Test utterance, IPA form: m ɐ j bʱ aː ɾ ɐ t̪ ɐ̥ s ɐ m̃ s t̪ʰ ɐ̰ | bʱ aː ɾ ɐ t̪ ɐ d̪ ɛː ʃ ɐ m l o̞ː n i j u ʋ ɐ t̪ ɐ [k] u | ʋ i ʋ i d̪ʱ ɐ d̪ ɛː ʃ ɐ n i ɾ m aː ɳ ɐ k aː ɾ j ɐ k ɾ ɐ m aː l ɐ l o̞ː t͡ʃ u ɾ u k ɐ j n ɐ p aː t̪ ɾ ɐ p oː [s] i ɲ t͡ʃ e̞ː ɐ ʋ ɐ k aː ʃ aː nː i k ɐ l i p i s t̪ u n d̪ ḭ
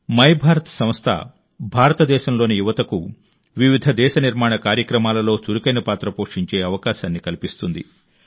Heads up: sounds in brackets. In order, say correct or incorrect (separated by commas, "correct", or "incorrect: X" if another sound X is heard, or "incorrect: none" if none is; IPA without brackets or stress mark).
correct, incorrect: ʂ